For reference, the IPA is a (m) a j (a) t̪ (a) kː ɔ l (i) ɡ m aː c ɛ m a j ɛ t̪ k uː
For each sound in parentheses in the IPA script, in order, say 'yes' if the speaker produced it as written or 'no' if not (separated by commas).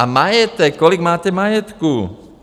yes, no, no, yes